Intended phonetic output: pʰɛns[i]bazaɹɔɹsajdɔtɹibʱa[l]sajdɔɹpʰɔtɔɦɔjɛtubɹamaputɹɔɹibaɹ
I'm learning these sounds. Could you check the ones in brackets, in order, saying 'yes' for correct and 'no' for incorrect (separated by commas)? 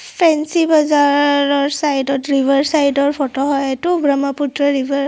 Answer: yes, no